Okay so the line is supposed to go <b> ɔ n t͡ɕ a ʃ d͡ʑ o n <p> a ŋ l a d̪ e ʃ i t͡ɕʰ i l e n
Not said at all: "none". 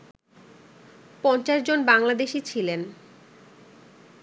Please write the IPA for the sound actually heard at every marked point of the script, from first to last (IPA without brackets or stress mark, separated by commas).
p, b